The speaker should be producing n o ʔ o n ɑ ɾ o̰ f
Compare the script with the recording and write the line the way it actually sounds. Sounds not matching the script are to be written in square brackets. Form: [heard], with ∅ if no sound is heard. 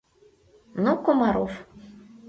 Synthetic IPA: n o [k] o [m] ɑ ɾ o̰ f